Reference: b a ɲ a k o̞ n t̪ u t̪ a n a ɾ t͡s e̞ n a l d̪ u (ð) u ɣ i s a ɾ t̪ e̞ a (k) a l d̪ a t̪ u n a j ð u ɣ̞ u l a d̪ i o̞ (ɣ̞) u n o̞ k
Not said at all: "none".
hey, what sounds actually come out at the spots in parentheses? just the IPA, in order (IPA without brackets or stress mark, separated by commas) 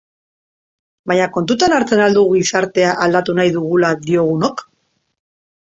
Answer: ɣ, ʔ, ɣ̞